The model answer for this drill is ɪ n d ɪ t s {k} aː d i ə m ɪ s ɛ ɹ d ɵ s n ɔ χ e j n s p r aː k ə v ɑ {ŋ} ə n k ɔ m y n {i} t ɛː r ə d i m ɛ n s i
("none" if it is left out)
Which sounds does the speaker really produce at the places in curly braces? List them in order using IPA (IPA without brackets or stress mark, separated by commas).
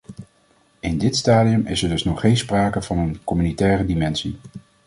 t, n, i